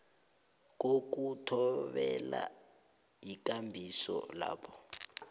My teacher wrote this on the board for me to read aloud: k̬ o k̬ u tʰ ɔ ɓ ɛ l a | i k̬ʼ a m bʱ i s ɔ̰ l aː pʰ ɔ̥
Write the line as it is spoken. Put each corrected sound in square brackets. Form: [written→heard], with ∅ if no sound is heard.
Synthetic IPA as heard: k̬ o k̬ u tʰ ɔ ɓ ɛ l a | i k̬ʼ a m bʱ i s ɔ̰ l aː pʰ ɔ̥